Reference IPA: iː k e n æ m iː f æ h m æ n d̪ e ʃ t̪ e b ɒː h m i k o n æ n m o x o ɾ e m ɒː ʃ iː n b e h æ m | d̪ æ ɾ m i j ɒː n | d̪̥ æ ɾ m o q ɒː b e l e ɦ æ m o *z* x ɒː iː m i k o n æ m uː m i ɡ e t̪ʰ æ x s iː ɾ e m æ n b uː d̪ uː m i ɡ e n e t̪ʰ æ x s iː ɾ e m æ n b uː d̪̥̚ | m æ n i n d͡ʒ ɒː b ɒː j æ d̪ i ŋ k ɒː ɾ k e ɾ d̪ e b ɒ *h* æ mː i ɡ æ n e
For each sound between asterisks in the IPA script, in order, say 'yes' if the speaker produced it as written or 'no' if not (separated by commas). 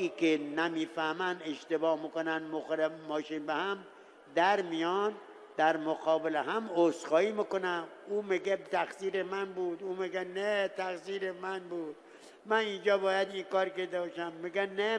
no, no